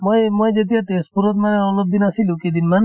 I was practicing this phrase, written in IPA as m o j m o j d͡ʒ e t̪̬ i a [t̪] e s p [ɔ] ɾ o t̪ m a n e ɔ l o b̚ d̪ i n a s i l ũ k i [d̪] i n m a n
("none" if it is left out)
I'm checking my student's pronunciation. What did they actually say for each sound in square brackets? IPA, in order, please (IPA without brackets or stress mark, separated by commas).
t̪, u, d̪